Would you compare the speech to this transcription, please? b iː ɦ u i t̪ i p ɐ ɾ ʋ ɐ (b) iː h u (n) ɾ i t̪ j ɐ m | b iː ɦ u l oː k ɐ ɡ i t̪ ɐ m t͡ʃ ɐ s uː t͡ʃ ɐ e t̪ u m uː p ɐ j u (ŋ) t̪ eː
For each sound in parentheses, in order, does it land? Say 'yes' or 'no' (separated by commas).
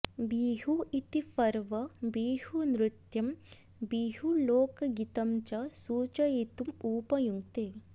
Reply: yes, yes, yes